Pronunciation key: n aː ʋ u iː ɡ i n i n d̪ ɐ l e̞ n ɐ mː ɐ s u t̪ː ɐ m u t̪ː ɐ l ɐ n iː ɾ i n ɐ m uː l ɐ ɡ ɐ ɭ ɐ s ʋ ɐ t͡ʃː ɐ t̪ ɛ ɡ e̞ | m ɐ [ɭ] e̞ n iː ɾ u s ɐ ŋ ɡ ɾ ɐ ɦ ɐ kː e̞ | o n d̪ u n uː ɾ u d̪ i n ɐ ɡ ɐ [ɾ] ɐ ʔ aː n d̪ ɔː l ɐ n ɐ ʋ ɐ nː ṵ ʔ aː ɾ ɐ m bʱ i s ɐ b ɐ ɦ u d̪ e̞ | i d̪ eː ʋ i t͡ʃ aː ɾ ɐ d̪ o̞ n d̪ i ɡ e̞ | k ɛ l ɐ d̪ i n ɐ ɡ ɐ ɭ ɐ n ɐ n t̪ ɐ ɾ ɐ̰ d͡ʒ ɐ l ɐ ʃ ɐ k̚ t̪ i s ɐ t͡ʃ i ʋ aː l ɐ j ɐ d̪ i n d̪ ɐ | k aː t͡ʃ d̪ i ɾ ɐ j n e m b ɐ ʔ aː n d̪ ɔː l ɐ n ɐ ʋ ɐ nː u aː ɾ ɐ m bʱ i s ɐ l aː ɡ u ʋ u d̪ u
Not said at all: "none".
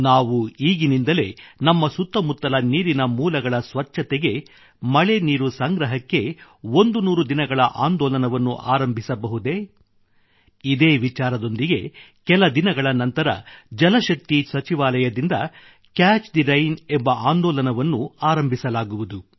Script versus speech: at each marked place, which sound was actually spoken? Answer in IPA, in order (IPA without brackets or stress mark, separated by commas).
ɭ, ɭ